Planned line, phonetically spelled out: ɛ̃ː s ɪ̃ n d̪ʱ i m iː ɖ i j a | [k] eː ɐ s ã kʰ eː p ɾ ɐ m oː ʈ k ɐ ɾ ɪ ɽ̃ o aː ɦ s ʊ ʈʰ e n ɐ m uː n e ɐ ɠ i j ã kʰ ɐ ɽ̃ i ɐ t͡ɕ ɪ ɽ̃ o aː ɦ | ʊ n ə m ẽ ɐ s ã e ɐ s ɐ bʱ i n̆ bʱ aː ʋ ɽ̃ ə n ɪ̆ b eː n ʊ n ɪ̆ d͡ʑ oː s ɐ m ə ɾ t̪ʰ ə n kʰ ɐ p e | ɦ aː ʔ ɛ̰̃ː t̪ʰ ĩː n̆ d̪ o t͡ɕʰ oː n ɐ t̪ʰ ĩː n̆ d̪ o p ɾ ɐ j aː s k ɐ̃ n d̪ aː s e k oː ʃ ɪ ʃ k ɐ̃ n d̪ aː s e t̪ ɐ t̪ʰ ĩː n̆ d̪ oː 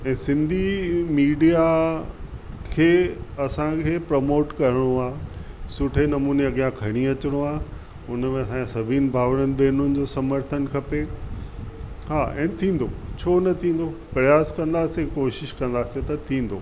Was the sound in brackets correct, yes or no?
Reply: no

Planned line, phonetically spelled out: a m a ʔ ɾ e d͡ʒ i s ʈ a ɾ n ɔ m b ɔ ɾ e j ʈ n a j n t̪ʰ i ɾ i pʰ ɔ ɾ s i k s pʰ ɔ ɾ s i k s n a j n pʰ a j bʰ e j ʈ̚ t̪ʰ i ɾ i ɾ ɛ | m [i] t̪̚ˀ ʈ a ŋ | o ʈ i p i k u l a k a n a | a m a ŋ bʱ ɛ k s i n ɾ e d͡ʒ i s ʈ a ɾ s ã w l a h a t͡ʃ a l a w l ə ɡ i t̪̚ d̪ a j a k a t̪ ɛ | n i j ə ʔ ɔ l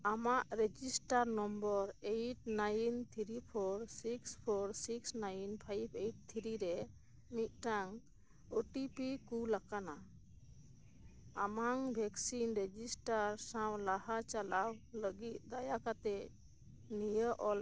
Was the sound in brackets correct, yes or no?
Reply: yes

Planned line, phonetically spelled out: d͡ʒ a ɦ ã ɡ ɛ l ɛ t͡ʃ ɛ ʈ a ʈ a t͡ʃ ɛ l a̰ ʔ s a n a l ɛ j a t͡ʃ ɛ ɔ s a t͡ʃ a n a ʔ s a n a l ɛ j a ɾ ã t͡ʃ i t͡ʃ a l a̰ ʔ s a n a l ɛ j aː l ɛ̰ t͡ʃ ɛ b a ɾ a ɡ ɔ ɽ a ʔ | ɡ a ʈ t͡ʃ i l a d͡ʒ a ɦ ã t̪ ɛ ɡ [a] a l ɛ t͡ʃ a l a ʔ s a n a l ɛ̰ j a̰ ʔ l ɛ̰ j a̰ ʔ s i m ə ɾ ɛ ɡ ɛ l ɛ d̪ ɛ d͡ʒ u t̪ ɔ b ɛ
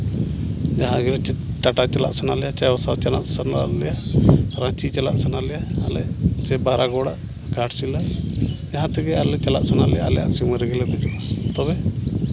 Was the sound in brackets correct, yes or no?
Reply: no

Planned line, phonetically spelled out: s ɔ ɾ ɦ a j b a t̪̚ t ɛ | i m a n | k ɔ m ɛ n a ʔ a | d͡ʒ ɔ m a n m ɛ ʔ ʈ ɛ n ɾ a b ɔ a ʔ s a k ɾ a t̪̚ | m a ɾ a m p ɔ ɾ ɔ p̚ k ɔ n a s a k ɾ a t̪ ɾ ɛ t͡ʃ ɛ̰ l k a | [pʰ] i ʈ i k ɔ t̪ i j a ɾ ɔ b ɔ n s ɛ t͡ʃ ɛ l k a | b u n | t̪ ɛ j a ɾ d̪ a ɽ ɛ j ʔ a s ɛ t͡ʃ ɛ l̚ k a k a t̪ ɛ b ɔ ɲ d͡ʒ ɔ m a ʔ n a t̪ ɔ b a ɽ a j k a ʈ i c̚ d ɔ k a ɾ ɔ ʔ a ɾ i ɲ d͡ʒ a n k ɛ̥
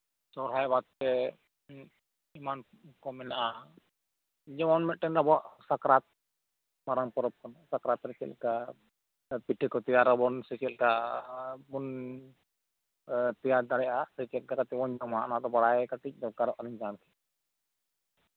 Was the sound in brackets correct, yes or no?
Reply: no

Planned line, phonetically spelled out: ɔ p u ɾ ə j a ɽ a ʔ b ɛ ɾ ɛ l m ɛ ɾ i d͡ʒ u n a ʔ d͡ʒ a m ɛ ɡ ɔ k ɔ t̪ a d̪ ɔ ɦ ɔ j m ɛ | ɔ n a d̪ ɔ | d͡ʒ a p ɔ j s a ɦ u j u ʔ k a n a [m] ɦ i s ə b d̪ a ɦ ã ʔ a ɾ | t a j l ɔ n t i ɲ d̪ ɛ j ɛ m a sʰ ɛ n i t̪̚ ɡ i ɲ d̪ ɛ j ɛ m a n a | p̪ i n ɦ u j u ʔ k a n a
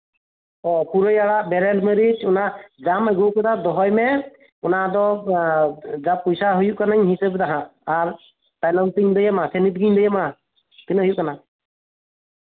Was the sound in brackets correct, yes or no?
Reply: no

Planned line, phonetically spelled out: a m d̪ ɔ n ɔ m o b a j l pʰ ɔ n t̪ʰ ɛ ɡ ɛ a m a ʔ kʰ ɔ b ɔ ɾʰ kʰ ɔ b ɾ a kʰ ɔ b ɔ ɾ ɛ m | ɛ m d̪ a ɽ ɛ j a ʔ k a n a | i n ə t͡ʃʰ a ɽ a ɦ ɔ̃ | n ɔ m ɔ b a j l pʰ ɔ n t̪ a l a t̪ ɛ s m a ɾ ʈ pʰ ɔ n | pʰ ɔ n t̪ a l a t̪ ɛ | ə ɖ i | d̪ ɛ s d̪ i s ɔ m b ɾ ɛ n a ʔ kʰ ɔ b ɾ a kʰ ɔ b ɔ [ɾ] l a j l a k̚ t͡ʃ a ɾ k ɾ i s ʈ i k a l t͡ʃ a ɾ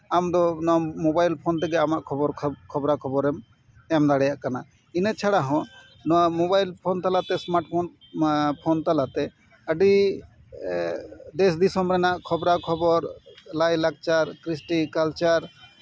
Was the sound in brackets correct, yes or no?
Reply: yes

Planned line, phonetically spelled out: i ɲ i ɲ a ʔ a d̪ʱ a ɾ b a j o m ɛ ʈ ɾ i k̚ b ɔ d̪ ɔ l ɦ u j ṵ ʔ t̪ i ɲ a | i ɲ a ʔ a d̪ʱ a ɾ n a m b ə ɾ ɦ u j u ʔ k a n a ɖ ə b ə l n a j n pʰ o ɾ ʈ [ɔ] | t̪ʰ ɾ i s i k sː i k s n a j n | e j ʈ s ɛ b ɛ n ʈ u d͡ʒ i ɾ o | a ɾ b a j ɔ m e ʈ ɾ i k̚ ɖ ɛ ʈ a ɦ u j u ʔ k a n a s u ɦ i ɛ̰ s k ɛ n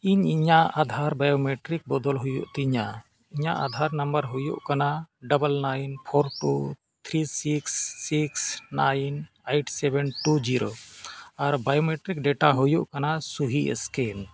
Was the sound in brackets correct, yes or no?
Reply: no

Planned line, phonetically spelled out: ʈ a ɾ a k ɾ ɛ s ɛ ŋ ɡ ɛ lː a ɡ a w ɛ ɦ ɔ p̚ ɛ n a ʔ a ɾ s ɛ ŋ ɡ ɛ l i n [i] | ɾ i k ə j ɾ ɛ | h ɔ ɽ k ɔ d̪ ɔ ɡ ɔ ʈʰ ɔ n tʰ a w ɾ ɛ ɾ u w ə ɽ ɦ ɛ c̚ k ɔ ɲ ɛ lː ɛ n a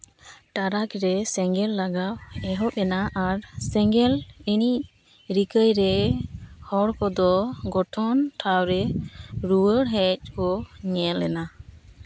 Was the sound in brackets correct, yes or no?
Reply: yes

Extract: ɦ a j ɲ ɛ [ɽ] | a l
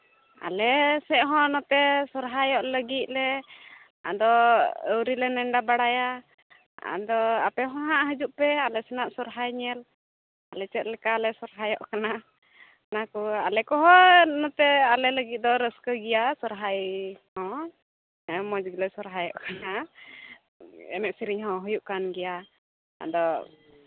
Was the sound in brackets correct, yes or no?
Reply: no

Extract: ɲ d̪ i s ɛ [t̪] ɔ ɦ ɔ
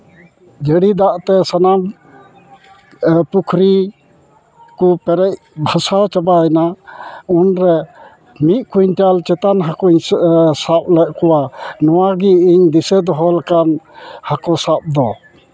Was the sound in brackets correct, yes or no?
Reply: no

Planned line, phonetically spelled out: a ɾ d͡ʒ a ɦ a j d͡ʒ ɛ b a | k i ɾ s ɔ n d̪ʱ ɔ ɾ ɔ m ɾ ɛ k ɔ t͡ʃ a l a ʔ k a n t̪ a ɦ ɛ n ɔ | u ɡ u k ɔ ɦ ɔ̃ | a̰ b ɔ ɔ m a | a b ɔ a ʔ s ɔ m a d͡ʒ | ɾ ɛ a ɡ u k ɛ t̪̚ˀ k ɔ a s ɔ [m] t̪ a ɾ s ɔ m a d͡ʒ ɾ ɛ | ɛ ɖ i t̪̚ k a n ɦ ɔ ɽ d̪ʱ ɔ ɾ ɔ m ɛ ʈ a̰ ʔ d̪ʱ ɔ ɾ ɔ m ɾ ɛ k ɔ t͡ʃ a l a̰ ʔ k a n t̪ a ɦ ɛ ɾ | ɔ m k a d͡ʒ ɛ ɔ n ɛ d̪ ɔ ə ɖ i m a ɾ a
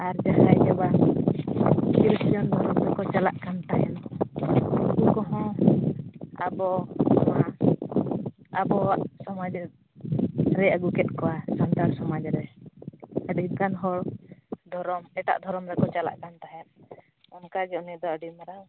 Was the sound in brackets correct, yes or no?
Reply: no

